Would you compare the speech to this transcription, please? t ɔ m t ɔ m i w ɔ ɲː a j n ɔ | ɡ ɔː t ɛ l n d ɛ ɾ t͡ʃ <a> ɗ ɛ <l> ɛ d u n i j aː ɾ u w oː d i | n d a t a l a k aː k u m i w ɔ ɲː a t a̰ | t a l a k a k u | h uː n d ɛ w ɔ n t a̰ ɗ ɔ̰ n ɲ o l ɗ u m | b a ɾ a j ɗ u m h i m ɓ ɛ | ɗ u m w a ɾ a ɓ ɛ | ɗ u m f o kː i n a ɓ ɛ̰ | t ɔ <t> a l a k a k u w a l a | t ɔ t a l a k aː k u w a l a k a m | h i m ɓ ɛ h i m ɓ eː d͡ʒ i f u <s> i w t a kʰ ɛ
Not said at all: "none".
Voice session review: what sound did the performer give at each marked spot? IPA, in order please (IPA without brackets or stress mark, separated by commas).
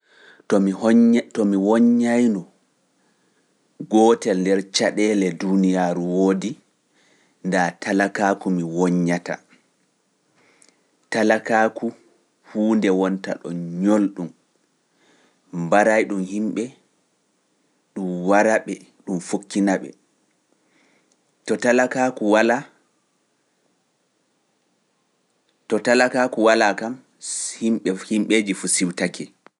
a, l, t, s